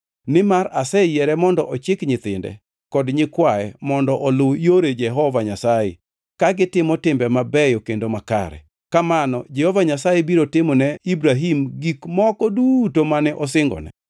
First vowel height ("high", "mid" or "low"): high